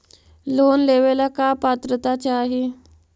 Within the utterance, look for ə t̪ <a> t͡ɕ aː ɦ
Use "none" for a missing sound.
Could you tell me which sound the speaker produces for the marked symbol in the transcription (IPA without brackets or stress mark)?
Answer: a